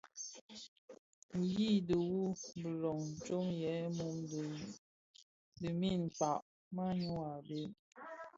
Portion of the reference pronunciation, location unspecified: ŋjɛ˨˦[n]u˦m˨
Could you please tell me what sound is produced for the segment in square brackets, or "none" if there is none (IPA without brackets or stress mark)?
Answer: m